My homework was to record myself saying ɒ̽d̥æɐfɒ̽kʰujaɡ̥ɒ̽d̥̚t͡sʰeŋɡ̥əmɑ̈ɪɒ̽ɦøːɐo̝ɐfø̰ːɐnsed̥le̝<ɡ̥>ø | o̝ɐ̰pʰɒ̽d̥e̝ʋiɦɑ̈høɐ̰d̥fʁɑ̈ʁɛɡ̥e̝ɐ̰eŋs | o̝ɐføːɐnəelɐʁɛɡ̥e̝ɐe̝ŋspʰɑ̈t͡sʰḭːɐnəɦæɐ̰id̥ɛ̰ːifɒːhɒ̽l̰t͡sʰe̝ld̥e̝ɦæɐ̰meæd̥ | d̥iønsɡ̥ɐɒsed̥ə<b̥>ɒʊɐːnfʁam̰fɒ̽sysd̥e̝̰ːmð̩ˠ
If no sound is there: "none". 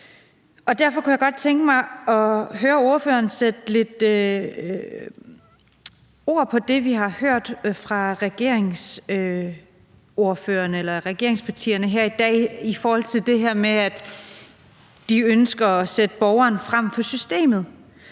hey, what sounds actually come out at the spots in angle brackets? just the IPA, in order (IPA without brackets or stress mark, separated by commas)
d̥, b̥